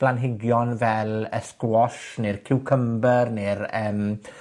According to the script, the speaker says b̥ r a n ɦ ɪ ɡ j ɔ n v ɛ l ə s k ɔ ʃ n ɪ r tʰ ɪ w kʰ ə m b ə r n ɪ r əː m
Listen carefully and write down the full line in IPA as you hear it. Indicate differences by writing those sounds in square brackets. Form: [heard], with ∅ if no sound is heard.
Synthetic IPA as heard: b̥ [l] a n ɦ ɪ ɡ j ɔ n v ɛ l ə s k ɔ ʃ n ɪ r [kʰ] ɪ w kʰ ə m b ə r n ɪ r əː m